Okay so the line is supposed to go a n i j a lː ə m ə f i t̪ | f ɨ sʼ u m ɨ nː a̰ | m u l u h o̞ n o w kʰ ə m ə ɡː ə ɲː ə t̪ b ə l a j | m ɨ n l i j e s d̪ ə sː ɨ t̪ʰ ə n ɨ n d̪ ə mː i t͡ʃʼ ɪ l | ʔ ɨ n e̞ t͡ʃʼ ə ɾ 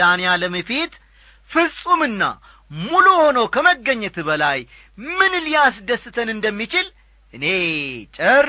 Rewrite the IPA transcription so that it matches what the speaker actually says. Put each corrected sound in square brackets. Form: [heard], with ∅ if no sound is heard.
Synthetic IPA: a n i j a [l] ə m ə f i t̪ | f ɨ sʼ u m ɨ nː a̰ | m u l u h o̞ n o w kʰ ə m ə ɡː ə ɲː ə t̪ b ə l a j | m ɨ n l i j [a] s d̪ ə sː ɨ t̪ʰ ə n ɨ n d̪ ə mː i [t͡ʃ] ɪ l | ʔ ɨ n e̞ t͡ʃʼ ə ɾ